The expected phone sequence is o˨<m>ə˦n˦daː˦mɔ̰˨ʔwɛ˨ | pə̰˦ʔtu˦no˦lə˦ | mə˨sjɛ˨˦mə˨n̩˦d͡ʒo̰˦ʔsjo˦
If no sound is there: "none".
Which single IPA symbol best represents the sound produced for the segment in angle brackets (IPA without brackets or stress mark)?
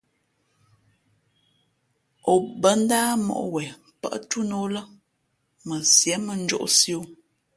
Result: b